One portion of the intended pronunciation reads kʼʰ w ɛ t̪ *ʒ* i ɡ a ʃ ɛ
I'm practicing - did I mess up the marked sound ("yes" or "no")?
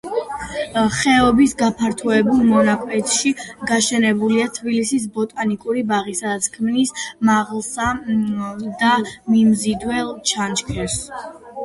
yes